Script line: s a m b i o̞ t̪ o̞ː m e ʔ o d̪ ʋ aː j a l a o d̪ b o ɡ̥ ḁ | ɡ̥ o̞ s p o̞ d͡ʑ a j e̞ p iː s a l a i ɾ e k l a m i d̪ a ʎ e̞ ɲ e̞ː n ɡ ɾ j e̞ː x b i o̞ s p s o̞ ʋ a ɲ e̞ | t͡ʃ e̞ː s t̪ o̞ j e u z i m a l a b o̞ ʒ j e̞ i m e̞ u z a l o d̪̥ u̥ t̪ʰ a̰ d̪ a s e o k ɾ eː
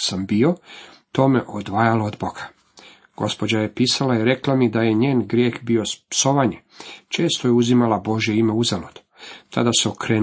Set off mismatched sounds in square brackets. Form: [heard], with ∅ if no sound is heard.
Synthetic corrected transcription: s a m b i o̞ t̪ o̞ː m e ʔ o d̪ ʋ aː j a l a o d̪ b o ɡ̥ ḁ | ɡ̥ o̞ s p o̞ d͡ʑ a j e̞ p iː s a l a i ɾ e k l a m i d̪ a [j] e̞ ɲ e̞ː n ɡ ɾ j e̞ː x b i o̞ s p s o̞ ʋ a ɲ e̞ | t͡ʃ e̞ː s t̪ o̞ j e u z i m a l a b o̞ ʒ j e̞ i m e̞ u z a l o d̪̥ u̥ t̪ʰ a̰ d̪ a s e o k ɾ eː